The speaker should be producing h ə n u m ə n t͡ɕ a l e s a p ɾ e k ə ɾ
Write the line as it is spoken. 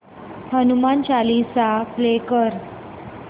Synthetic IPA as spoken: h ə n u m a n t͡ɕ a l i s a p l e k ə ɾ

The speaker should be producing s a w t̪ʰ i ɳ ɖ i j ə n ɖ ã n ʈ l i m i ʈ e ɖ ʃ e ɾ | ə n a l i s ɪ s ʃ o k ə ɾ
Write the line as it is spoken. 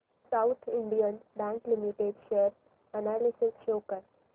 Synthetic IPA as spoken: s a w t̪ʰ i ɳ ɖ i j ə n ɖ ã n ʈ l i m i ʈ e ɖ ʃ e ɾ | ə n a l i s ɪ s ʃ o k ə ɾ

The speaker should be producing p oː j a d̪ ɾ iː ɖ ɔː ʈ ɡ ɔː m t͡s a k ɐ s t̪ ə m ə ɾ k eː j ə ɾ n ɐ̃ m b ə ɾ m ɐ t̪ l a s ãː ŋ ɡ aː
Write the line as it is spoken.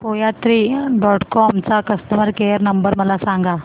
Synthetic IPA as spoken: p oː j a t̪ ɾ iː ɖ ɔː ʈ k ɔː m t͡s a k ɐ s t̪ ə m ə ɾ k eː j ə ɾ n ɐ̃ m b ə ɾ m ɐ l a s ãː ŋ ɡ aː

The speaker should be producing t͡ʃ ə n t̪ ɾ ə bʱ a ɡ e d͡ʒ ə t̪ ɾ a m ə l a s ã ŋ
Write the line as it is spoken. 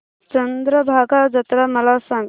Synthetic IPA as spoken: t͡ʃ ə n d̪ ɾ ə bʱ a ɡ a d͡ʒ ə t̪ ɾ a m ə l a s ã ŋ

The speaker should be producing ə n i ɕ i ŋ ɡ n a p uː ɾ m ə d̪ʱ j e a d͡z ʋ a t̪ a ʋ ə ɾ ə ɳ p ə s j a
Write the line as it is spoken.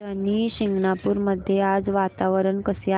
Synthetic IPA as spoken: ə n i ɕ i ŋ ɡ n a p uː ɾ m ə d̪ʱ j e a d͡z ʋ a t̪ a ʋ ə ɾ ə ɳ k ə s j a

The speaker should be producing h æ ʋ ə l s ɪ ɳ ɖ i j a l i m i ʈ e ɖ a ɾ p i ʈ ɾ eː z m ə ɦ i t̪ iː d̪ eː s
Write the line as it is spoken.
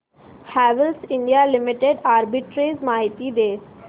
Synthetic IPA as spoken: h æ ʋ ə l s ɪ ɳ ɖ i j a l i m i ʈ e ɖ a ɾ b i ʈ ɾ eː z m a ɦ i t̪ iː d̪ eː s

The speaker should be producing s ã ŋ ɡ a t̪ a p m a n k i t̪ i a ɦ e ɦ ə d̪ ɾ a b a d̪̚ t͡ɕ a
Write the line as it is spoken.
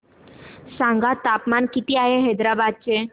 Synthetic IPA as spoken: s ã ŋ ɡ a t̪ a p m a n k i t̪ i a ɦ e ɦ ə d̪ ɾ a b a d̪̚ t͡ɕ e

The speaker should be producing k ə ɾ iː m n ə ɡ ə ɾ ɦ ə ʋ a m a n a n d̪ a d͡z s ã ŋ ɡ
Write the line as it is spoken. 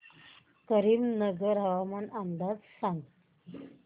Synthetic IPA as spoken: k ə ɾ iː m n ə ɡ ə ɾ ɦ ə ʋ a m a n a n d̪ a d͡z s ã ŋ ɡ

